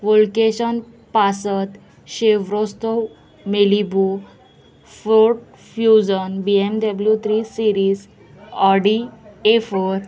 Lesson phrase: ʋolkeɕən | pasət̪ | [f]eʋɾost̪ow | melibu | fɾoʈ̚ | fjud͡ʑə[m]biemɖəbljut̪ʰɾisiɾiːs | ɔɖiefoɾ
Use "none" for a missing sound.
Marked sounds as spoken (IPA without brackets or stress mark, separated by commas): ɕ, n